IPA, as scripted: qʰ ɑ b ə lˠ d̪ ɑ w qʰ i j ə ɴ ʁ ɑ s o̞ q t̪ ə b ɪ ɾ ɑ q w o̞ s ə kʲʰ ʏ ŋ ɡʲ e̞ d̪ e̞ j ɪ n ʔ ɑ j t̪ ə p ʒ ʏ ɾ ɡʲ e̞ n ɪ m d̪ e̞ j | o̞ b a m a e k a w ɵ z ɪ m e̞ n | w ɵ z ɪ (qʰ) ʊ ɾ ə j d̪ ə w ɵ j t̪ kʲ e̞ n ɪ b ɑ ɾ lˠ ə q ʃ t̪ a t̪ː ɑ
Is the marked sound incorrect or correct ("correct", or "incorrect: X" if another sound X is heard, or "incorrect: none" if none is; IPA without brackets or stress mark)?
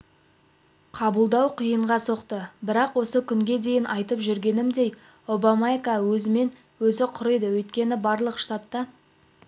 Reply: correct